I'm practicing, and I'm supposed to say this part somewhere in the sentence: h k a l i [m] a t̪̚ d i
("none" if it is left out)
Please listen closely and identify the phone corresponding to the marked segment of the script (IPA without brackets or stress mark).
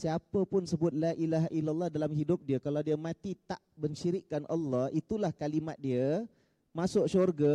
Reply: m